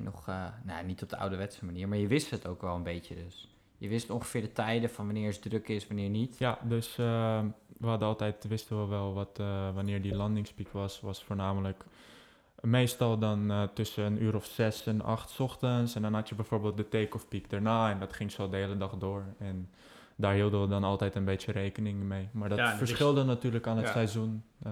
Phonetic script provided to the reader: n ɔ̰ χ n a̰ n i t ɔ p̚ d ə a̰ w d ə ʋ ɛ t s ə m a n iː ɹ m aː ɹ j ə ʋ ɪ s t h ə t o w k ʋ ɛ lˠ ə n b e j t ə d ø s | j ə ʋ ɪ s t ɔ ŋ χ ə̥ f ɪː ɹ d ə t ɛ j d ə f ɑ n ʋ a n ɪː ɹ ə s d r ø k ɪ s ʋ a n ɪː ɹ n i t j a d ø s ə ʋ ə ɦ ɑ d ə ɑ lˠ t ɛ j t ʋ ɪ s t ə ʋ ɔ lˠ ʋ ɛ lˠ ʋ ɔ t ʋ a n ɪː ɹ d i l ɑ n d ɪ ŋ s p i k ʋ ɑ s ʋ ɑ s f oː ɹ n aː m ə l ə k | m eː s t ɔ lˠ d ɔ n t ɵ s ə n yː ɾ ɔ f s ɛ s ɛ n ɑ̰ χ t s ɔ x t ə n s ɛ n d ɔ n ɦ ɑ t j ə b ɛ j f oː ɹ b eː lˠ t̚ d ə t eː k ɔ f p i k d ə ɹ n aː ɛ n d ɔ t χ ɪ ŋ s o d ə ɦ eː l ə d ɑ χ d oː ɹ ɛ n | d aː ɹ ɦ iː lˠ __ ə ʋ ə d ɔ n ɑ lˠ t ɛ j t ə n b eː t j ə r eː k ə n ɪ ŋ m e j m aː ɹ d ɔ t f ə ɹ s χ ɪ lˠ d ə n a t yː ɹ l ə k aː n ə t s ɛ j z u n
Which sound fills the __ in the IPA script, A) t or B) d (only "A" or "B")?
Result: B